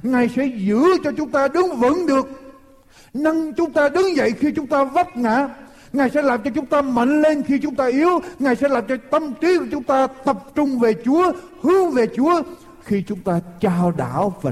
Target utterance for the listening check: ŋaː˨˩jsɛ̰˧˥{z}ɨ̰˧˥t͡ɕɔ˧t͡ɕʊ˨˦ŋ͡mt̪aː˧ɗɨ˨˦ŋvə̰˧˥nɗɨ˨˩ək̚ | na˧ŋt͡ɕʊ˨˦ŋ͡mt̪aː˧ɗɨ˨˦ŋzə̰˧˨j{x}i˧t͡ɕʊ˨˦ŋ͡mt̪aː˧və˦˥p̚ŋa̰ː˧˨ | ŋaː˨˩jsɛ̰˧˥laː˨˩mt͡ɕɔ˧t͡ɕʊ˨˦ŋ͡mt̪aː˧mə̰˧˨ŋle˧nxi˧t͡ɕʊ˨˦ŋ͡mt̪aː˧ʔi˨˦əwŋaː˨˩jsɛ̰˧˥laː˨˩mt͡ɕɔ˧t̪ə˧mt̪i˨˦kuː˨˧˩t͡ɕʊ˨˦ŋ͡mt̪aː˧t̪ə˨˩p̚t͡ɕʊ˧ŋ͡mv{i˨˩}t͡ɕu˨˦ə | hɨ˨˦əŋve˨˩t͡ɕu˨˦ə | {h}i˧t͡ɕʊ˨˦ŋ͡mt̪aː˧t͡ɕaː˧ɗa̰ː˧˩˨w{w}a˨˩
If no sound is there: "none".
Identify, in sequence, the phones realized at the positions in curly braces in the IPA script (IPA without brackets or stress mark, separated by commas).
z, x, e˨˩, x, v